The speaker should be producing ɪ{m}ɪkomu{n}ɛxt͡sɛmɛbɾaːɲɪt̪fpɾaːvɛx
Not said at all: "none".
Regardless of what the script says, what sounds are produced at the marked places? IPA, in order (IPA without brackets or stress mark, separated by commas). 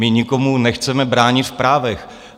ɲ, n